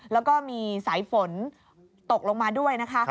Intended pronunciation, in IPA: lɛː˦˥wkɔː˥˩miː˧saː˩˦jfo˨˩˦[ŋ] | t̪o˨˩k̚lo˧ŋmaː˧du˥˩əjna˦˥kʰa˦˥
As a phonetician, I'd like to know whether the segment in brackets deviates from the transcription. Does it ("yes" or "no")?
yes